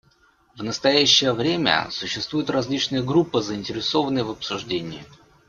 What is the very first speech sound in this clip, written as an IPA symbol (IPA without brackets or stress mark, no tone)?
v